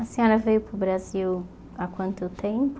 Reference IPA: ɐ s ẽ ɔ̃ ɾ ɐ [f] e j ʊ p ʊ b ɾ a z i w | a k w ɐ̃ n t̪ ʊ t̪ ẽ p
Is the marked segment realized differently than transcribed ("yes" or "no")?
yes